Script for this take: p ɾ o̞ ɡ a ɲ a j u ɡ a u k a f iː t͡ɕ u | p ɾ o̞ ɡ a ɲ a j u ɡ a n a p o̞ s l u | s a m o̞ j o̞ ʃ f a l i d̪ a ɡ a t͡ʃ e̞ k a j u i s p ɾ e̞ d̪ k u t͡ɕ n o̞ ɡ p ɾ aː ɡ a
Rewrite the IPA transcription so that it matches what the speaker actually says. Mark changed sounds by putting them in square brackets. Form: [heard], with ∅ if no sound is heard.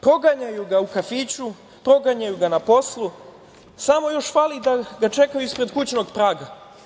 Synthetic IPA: p ɾ o̞ ɡ a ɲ a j u ɡ a u k a f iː t͡ɕ u | p ɾ o̞ ɡ a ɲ a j u ɡ a n a p o̞ s l u | s a m o̞ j o̞ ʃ f a l i d̪ a ɡ a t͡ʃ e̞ k a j u i s p ɾ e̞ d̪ k u t͡ɕ n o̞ ɡ p ɾ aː ɡ a